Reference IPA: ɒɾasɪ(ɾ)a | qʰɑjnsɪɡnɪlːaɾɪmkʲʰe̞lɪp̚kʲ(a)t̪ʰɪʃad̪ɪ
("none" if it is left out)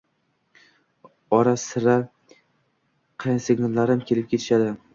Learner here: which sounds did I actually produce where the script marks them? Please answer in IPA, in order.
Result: ɾ, e

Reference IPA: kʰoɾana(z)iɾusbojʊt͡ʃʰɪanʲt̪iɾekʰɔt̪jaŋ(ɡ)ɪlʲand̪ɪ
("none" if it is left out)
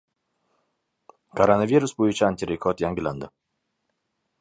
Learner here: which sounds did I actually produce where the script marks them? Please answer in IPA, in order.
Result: v, ɡ

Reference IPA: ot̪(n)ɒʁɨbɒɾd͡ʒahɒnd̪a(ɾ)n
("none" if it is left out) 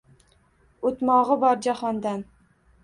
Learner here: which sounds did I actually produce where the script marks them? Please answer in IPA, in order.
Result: m, none

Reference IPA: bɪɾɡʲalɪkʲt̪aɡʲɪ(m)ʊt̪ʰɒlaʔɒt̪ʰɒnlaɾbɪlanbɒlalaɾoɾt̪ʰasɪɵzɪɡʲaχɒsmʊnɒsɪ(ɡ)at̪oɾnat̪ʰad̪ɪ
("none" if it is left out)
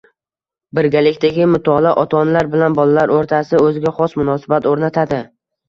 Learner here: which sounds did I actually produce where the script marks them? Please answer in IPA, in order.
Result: m, b

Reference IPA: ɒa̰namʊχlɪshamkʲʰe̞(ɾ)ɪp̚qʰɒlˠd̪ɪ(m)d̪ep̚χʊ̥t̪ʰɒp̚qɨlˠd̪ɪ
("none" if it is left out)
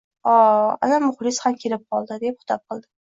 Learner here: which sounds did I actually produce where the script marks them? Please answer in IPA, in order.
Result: l, none

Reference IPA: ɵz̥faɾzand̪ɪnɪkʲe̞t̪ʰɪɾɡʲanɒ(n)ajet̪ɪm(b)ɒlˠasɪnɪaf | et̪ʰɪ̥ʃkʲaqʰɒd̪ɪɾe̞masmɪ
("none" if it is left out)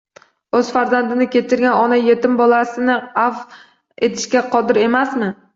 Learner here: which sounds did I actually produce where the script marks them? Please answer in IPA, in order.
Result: n, b

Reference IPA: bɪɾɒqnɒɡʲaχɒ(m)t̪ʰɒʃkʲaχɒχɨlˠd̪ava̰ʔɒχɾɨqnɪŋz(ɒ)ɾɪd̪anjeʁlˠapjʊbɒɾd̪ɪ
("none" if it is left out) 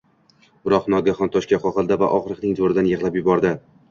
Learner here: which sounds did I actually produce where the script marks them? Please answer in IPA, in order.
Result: n, o

